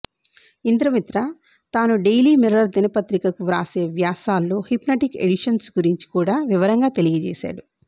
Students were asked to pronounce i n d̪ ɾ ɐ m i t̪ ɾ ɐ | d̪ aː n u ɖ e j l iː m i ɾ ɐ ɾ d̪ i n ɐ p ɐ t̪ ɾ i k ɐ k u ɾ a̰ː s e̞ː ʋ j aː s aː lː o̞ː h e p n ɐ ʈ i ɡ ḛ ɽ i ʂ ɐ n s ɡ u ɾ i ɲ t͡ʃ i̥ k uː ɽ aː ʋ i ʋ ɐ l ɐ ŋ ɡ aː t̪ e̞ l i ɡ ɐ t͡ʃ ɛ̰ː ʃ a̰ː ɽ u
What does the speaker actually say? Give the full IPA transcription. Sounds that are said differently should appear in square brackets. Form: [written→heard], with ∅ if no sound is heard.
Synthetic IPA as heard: i n d̪ ɾ ɐ m i t̪ ɾ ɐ | [d̪→t̪] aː n u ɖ e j l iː m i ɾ ɐ ɾ d̪ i n ɐ p ɐ t̪ ɾ i k ɐ k u ɾ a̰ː s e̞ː ʋ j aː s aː lː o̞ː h [e→i] p n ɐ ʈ i [ɡ→k] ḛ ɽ i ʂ ɐ n s ɡ u ɾ i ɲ t͡ʃ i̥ k uː ɽ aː ʋ i ʋ ɐ [l→ɾ] ɐ ŋ ɡ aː t̪ e̞ l i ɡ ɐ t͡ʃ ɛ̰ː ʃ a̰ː ɽ u